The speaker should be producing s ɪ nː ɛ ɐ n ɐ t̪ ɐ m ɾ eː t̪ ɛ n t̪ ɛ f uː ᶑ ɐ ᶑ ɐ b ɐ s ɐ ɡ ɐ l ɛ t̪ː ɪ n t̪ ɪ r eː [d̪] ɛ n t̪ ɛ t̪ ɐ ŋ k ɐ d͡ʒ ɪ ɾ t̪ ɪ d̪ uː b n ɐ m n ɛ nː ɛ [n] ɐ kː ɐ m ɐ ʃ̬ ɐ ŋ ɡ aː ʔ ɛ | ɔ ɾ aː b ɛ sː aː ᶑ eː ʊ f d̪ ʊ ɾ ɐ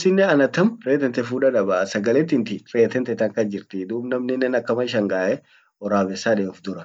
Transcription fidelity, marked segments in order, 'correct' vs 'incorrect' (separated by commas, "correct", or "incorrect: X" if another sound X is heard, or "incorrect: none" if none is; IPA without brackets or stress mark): incorrect: t̪, correct